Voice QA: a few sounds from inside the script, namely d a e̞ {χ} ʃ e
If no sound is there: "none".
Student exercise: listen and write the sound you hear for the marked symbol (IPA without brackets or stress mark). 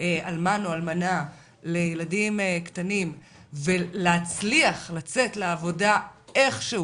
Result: χ